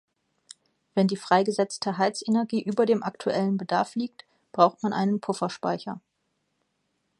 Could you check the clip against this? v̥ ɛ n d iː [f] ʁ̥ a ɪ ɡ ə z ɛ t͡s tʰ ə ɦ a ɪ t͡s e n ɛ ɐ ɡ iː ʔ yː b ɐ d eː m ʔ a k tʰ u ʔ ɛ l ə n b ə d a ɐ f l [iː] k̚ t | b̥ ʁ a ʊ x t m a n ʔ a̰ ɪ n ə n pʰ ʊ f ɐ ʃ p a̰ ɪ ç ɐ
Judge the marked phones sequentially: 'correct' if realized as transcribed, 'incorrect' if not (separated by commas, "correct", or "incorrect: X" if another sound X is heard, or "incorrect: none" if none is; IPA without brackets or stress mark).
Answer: correct, correct